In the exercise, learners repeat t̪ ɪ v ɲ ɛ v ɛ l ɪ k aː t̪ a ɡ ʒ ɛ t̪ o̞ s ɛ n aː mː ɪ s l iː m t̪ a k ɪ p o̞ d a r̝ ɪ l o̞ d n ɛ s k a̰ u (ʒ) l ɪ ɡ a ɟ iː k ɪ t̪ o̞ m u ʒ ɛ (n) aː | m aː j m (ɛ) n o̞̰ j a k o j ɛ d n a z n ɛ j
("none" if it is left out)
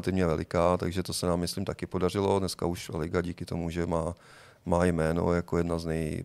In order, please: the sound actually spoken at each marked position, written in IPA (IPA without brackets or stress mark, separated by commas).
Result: ʃ, m, ɛː